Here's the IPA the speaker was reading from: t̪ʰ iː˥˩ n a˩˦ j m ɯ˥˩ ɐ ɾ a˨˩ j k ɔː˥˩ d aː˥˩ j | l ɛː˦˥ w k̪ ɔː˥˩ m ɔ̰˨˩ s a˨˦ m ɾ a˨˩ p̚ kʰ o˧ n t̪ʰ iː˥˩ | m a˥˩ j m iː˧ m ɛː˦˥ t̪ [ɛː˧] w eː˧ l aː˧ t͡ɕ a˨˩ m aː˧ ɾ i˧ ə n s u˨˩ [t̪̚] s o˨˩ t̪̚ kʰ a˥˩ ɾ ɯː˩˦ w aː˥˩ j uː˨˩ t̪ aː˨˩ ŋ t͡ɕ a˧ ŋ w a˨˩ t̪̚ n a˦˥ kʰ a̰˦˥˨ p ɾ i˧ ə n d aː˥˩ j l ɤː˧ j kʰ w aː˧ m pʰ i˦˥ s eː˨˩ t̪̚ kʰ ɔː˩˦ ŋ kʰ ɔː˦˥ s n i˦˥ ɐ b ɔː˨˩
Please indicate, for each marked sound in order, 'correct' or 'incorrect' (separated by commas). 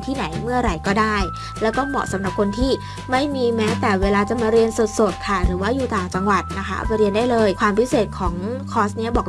incorrect, correct